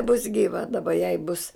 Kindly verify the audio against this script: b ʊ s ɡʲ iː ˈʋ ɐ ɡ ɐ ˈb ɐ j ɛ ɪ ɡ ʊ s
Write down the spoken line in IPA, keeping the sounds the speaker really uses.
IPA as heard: b ʊ s ɡʲ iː ˈʋ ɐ d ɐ ˈb ɐ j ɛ ɪ b ʊ s